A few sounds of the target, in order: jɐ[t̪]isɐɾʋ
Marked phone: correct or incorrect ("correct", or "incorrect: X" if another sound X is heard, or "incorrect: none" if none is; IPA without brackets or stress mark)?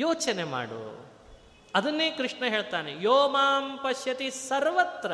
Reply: correct